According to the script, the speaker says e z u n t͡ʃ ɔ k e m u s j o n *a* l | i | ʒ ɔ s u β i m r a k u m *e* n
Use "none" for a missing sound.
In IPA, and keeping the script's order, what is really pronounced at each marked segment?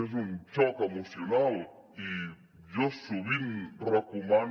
a, a

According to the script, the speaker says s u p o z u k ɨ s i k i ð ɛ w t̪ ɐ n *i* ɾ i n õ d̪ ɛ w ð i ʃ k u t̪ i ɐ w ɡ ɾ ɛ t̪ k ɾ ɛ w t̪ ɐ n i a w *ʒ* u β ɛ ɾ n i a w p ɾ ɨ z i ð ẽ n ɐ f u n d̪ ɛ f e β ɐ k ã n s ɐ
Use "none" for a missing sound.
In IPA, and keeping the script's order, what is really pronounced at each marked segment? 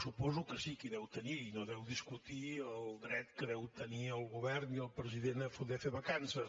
i, ɣ

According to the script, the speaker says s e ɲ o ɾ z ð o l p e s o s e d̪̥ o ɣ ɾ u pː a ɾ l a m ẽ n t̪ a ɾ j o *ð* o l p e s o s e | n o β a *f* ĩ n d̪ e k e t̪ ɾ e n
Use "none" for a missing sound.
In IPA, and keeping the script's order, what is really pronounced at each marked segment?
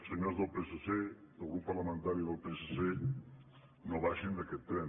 ð, ʃ

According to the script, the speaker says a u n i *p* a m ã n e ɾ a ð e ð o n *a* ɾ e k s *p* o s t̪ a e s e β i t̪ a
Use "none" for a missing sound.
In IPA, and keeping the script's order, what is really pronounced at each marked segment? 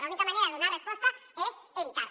k, a, p

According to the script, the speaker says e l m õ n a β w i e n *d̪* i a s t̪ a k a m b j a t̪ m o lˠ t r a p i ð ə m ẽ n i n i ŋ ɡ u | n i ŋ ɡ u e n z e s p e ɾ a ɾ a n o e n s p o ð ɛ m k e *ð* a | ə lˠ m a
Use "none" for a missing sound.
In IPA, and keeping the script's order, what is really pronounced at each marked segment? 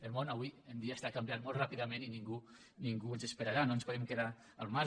d̪, ð

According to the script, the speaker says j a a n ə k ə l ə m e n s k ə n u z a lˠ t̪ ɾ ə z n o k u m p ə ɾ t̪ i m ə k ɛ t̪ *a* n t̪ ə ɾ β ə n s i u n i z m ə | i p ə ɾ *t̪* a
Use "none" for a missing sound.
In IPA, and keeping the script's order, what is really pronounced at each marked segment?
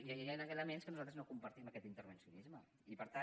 i, t̪

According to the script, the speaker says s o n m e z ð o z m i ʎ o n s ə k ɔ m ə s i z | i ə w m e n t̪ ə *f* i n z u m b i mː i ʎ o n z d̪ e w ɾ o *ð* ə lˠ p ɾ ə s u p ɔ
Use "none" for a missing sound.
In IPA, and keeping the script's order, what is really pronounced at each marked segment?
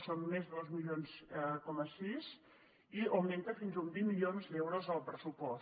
f, z

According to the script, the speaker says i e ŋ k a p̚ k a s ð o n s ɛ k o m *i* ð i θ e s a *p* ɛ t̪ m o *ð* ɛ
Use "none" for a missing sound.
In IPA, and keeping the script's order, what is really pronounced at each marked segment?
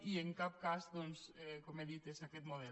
e, k, ð

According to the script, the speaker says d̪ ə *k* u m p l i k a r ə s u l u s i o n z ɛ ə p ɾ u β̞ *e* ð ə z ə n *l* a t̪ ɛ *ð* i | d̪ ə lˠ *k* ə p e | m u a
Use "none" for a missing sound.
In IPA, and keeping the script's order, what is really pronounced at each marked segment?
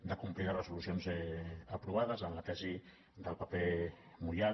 k, a, l, z, p

